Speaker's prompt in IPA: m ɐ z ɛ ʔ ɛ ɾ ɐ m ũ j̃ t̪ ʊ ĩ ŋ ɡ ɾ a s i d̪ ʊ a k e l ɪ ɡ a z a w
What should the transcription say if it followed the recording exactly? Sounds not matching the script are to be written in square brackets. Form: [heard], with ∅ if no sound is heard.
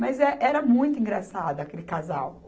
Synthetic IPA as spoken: m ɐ z ɛ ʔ ɛ ɾ ɐ m ũ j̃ t̪ ʊ ĩ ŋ ɡ ɾ a s [a] d̪ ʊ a k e l ɪ [k] a z a w